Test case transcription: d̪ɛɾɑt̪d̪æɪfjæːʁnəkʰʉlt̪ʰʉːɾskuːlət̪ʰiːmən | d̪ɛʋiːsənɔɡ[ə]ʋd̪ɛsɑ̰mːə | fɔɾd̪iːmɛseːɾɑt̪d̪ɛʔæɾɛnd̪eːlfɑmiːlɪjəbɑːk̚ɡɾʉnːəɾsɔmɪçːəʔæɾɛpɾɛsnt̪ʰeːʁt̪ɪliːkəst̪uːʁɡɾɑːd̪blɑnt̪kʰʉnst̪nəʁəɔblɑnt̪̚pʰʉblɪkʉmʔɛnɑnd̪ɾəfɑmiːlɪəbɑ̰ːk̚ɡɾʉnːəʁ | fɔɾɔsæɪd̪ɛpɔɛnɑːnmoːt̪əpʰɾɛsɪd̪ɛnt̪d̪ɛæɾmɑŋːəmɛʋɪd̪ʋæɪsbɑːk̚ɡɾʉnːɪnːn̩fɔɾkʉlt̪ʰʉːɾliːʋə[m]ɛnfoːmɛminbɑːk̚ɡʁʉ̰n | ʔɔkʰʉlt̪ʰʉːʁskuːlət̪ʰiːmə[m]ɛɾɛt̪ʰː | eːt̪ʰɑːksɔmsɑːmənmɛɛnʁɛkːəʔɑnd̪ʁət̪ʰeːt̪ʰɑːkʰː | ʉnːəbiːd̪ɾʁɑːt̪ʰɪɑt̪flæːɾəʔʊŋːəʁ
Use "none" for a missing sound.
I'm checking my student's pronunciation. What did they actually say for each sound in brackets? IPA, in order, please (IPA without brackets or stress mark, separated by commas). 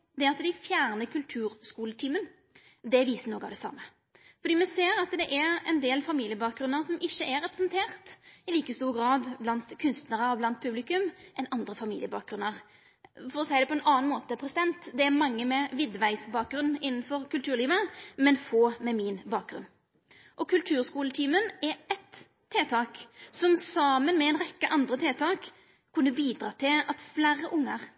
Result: ɑ, m, n